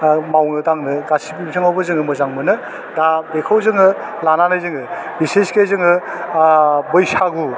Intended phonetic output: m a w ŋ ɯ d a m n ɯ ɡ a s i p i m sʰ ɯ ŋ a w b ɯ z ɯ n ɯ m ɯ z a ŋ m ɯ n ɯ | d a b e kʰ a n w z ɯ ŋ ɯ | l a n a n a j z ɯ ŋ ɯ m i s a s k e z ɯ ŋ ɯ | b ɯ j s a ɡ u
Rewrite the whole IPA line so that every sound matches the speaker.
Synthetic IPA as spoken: m a w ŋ ɯ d a ŋ n ɯ ɡ a s i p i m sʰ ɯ ŋ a w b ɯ z ɯ ŋ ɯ m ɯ z a ŋ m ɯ n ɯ | d a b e kʰ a w z ɯ ŋ ɯ | l a n a n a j z ɯ ŋ ɯ b i s e s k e z ɯ ŋ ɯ | b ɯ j s a ɡ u